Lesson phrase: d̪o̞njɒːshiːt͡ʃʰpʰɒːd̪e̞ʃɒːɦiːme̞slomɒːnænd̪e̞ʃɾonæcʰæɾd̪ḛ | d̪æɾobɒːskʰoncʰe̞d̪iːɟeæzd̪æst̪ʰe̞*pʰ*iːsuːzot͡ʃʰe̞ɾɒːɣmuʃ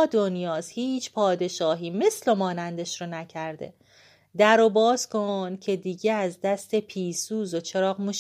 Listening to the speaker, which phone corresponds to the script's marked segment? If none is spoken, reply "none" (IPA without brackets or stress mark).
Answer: pʰ